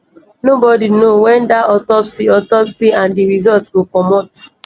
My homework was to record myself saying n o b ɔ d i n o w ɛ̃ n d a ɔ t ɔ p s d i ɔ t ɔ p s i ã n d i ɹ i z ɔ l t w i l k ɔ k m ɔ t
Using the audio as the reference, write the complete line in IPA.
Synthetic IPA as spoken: n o b ɔ d i n o w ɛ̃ n d a ɔ t ɔ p s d i ɔ t ɔ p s i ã n d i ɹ i z ɔ l t w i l k ɔ m ɔ t